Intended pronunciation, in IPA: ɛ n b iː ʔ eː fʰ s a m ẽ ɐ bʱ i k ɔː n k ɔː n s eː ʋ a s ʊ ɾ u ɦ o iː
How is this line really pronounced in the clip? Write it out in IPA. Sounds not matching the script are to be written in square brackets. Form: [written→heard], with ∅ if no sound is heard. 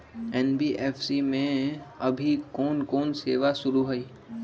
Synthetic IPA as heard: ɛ n b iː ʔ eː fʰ s [a→i] m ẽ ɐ bʱ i k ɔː n k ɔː n s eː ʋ a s ʊ ɾ u ɦ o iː